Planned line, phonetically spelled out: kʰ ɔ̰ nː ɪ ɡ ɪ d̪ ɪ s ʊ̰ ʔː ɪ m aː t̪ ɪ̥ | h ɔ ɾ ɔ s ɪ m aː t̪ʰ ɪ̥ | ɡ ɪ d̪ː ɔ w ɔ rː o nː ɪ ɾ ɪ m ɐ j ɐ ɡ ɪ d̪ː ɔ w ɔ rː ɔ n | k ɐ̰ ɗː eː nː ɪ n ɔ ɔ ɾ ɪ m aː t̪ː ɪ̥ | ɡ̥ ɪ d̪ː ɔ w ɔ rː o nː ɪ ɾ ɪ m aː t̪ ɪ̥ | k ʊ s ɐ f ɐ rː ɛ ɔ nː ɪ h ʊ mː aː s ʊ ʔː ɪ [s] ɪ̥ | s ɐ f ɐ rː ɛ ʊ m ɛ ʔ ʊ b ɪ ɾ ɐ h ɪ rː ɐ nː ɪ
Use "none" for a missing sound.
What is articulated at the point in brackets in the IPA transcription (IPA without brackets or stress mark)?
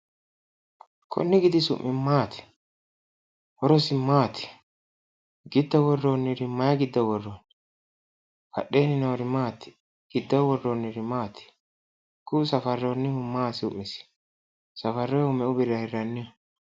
s